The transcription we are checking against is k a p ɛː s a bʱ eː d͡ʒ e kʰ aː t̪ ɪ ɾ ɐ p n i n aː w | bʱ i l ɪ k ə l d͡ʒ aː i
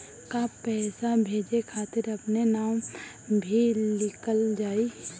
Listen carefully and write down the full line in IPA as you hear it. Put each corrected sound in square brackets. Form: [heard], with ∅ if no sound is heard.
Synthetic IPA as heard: k a p ɛː s a bʱ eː d͡ʒ e kʰ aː t̪ ɪ ɾ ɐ p n [e] n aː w | bʱ i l ɪ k ə l d͡ʒ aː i